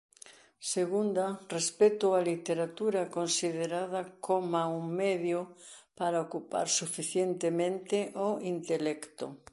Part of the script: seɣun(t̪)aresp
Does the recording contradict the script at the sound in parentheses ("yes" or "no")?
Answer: yes